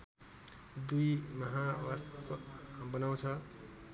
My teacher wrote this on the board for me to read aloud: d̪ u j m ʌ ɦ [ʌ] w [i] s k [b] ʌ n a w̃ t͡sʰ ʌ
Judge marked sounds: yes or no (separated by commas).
no, no, yes